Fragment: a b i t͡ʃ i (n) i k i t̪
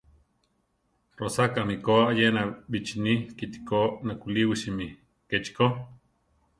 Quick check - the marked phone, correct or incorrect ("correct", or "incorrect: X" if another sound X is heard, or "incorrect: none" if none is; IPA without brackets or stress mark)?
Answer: correct